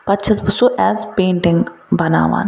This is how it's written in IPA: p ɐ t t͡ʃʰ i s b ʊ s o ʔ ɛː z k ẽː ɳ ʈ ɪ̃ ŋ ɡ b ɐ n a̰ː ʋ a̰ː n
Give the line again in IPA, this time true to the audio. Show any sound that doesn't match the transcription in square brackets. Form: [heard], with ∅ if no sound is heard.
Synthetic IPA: p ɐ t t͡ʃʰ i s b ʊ s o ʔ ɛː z [p] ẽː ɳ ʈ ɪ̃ ŋ ɡ b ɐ n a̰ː ʋ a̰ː n

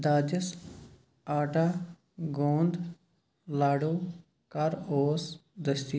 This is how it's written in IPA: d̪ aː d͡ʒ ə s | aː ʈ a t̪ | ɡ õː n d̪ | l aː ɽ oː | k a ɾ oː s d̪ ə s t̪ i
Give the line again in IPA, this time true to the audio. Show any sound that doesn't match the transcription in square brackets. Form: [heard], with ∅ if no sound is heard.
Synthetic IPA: d̪ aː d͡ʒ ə s | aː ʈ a [∅] | ɡ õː n d̪ | l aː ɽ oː | k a ɾ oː s d̪ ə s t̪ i

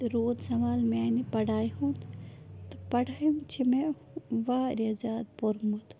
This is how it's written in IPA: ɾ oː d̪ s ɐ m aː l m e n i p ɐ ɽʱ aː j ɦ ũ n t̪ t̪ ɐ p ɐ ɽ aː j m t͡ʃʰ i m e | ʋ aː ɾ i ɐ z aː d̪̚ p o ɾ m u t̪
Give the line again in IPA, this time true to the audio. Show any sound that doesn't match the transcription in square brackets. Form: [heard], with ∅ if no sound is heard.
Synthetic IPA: ɾ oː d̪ s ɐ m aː l m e n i p ɐ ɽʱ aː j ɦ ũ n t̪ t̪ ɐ p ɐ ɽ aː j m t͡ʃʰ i m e | ʋ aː ɾ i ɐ z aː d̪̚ p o ɾ m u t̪

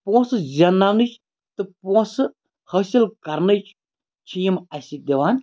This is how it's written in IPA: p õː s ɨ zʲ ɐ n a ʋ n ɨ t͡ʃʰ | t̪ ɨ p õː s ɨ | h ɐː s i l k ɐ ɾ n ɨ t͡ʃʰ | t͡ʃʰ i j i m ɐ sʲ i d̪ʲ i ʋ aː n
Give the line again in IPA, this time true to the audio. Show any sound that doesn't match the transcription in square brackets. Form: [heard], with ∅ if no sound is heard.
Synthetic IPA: p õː s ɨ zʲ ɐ n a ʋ n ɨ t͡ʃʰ | t̪ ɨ p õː s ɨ | h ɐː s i l k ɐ ɾ n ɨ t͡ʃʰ | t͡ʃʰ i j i m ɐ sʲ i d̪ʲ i ʋ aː n

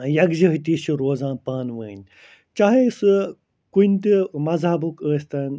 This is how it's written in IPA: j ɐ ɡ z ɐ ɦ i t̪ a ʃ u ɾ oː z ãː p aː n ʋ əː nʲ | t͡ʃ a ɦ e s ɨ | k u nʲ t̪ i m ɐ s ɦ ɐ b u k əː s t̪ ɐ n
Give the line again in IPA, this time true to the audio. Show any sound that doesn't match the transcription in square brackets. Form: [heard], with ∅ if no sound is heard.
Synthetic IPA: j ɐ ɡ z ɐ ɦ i t̪ [i] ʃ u ɾ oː z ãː p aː n ʋ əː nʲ | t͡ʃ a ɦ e s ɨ | k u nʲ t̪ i m ɐ [z] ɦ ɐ b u k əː s t̪ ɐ n

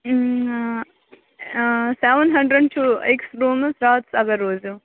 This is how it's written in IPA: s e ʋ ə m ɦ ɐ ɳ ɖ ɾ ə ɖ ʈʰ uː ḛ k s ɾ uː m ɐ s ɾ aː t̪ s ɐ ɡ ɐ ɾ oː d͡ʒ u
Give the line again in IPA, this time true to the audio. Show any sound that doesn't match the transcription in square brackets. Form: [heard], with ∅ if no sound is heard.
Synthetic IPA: s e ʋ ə [n] ɦ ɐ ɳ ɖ ɾ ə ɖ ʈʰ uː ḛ k s ɾ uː m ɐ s ɾ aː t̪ s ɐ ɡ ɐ ɾ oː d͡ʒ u

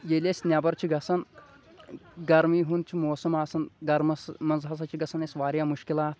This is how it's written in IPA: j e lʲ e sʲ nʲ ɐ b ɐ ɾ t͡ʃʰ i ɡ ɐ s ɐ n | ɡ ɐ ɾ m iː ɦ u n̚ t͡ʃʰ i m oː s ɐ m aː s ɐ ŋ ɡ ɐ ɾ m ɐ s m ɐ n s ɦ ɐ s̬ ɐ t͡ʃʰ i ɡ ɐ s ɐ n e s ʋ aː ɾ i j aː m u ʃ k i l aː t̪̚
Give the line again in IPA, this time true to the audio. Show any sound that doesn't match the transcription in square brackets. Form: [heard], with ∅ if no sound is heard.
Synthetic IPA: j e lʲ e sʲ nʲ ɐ b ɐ ɾ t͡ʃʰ i ɡ ɐ s ɐ n | ɡ ɐ ɾ m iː ɦ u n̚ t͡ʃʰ i m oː s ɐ m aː s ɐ [n] ɡ ɐ ɾ m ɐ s m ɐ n [z] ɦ ɐ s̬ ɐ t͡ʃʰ i ɡ ɐ s ɐ n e s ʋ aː ɾ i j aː m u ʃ k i l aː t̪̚

